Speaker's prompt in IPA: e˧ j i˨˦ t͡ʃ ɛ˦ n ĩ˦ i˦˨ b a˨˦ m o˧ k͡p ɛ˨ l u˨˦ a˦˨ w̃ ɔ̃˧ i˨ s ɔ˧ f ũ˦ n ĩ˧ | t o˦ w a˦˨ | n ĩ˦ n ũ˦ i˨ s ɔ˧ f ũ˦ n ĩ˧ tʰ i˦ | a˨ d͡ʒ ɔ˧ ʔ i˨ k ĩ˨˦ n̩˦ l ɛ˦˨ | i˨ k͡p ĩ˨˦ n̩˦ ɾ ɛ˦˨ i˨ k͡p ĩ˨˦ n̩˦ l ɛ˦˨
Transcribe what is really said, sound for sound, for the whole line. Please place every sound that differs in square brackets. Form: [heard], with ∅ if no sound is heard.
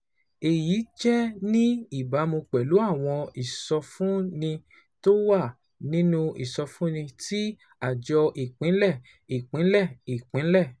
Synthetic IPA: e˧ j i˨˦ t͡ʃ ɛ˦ n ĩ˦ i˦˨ b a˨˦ m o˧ k͡p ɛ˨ l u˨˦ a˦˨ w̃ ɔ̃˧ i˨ s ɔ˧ f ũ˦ n ĩ˧ | t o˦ w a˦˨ | n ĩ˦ n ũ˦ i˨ s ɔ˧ f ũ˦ n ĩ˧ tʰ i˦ | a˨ d͡ʒ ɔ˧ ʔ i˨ [k͡p] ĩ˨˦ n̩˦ l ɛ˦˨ | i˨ k͡p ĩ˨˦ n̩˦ [l] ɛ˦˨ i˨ k͡p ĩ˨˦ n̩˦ l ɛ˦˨